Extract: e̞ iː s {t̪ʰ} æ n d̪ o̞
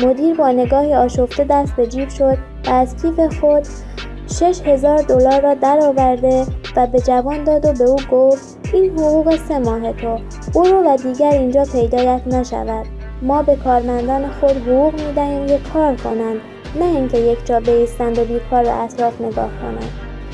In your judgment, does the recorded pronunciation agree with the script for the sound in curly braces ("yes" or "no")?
no